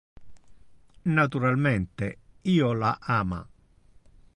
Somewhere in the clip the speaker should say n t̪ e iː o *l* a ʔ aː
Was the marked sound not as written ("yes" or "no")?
no